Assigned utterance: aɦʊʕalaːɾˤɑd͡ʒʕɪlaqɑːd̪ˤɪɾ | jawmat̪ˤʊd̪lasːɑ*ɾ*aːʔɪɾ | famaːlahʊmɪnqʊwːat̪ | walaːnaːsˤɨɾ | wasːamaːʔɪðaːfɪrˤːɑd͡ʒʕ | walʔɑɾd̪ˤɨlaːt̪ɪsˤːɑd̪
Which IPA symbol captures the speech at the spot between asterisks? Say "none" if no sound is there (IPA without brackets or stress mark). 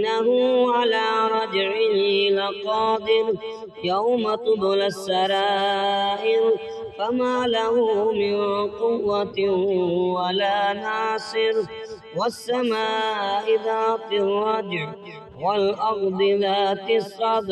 ɾ